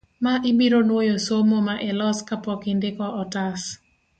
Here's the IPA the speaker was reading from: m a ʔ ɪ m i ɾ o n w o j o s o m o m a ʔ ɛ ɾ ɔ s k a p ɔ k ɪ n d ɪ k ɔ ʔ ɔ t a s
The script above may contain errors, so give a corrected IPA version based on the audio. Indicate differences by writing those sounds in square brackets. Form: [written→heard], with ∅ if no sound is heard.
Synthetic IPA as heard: m a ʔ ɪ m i ɾ o n w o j o s o m o m a ʔ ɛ [ɾ→l] ɔ s k a p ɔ k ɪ n d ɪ k ɔ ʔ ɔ t a s